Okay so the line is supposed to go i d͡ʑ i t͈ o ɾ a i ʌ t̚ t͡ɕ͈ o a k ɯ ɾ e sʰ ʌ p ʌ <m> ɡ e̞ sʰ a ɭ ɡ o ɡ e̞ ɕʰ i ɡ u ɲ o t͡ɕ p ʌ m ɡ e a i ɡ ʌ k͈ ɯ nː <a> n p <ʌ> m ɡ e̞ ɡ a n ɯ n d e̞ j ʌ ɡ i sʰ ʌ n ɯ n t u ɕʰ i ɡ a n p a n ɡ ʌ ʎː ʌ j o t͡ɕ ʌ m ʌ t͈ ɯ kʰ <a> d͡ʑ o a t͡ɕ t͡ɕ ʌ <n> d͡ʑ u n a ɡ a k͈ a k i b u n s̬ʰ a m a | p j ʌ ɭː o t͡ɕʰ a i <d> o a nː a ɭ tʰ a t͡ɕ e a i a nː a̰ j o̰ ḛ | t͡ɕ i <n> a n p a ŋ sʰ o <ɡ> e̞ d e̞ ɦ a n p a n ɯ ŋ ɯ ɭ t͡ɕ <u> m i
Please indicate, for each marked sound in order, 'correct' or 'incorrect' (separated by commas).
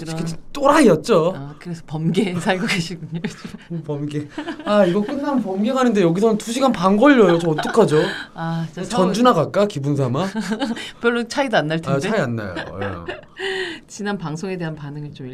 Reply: correct, correct, correct, correct, correct, correct, correct, incorrect, incorrect